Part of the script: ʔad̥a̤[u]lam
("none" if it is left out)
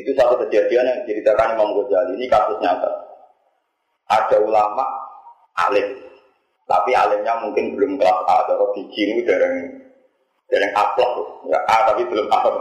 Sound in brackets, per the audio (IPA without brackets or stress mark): u